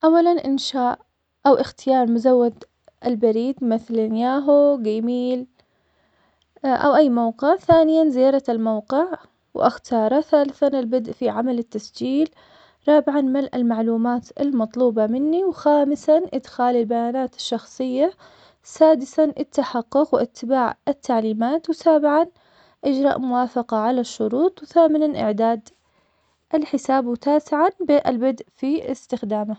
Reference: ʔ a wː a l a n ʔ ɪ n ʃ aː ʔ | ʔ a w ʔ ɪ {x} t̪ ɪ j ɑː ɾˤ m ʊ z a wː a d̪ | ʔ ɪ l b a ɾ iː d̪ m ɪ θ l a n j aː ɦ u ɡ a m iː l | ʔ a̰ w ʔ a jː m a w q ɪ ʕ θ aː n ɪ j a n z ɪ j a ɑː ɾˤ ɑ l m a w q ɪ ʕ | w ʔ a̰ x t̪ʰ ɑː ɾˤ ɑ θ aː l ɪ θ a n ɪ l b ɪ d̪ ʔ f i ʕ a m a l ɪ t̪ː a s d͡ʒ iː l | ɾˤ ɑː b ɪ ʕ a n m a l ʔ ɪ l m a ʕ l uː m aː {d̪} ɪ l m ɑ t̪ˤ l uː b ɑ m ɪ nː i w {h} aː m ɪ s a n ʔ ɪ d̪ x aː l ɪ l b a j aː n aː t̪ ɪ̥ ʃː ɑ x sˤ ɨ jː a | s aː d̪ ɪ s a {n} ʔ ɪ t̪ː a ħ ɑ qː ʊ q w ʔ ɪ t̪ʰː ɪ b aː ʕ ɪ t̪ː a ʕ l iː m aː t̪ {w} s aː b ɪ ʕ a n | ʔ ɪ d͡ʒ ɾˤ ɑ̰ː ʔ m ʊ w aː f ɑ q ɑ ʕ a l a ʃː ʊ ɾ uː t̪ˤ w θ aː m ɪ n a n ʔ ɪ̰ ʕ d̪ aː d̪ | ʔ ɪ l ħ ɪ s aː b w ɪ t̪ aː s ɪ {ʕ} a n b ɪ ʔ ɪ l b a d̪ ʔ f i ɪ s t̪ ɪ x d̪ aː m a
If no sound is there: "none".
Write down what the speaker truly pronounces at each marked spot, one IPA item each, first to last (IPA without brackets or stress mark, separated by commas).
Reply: x, t̪, x, n, w, ʕ